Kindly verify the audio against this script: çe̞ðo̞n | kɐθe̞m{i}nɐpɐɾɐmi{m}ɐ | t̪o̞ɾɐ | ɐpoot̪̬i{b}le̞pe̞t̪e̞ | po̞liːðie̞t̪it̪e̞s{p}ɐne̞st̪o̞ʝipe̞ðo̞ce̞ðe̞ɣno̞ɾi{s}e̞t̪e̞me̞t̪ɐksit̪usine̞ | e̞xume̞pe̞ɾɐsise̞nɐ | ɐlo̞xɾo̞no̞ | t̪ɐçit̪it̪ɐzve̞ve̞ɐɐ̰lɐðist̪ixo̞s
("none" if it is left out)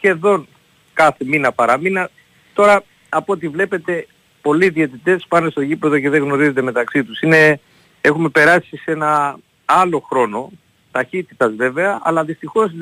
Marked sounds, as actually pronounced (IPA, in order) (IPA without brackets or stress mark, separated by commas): i, n, v, p, z